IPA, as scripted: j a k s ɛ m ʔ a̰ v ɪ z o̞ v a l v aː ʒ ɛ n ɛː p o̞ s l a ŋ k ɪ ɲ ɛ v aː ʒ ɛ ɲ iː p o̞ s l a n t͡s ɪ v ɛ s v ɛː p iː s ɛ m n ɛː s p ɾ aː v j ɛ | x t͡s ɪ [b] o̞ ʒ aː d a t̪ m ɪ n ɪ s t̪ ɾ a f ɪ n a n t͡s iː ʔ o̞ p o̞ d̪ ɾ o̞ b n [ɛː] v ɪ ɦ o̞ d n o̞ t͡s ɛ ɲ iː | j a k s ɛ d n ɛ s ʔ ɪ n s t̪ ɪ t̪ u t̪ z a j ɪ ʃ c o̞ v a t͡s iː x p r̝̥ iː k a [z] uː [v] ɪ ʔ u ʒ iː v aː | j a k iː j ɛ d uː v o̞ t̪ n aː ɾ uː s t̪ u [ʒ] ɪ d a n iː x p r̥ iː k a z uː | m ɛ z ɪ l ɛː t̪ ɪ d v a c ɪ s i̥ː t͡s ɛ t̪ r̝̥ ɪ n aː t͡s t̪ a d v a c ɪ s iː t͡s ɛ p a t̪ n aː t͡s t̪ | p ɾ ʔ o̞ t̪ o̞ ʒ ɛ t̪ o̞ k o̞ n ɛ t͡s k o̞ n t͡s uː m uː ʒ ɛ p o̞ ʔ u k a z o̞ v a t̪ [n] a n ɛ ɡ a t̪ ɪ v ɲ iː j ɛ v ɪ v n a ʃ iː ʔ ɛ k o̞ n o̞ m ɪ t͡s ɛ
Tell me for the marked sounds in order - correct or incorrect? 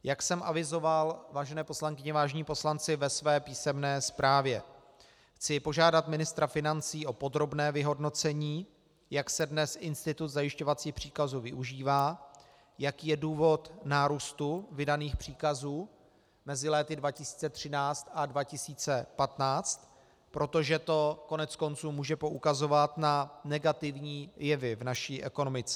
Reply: incorrect, correct, correct, correct, incorrect, correct

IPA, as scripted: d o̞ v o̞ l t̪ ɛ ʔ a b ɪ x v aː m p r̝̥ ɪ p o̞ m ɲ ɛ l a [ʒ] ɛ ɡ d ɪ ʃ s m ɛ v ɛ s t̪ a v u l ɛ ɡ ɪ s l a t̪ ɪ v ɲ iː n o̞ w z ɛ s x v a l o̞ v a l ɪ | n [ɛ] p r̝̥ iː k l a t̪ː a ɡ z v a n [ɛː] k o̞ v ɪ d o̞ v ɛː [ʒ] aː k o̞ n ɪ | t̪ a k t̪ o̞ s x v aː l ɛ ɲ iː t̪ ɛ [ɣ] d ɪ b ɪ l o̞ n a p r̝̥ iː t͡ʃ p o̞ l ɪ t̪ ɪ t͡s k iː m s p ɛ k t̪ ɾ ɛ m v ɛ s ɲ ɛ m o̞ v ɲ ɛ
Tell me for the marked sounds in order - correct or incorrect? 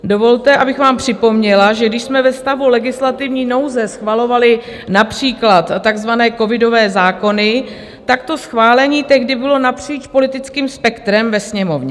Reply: correct, incorrect, correct, incorrect, correct

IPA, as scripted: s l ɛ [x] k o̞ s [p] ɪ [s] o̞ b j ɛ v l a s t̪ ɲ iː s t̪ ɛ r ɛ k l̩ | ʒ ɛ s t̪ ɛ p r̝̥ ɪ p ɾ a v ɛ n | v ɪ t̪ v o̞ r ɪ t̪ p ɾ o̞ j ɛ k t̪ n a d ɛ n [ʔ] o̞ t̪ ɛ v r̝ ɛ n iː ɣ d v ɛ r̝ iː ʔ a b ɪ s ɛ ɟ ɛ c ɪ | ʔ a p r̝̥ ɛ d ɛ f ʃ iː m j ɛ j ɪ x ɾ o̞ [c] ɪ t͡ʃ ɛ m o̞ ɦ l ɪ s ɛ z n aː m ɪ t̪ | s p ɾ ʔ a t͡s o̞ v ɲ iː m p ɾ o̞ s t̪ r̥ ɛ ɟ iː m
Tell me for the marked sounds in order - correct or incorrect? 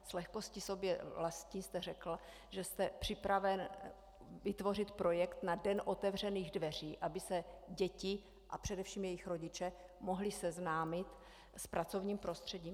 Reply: correct, incorrect, correct, correct, incorrect

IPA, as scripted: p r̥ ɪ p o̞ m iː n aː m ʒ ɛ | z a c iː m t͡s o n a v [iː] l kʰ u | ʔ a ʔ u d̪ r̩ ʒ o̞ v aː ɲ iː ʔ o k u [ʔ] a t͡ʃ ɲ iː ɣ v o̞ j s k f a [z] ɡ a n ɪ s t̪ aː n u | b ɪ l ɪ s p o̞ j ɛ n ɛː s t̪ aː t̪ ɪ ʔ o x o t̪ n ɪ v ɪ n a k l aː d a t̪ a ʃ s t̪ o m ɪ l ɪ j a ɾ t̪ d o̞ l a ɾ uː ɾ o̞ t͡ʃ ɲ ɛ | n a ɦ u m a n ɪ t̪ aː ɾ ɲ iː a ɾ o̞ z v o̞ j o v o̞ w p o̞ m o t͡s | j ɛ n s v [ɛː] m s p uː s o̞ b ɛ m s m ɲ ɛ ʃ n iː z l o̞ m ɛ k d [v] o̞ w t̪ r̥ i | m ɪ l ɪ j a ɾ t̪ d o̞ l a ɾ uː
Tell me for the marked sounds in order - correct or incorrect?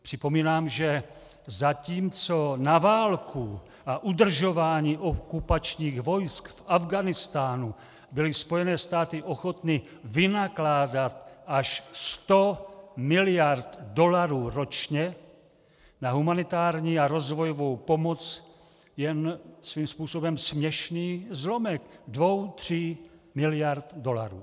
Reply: incorrect, incorrect, incorrect, incorrect, correct

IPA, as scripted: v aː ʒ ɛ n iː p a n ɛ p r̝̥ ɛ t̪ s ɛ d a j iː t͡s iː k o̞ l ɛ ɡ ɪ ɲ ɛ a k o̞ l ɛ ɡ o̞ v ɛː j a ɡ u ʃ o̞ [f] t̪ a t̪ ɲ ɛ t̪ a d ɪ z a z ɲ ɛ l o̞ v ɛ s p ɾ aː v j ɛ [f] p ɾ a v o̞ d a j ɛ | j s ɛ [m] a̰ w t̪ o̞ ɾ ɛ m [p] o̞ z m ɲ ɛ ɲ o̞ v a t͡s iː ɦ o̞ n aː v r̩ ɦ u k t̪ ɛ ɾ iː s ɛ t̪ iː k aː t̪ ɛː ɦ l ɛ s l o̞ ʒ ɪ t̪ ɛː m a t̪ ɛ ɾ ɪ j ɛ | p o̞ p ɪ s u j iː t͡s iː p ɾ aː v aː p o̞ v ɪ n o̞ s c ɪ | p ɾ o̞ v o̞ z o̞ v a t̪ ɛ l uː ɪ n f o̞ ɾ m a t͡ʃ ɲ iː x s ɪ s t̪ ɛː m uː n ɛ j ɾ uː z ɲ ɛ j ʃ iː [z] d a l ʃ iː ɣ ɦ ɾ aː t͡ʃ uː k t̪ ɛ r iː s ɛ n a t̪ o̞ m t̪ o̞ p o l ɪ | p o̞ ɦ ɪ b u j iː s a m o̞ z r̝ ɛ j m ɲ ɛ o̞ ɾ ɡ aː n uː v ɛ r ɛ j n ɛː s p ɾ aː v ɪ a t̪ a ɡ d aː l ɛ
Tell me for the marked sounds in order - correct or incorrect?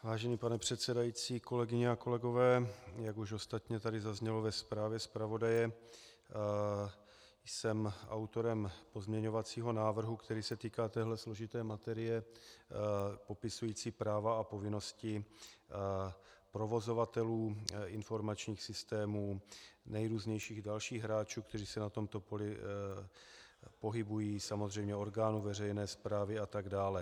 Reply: incorrect, incorrect, correct, correct, incorrect

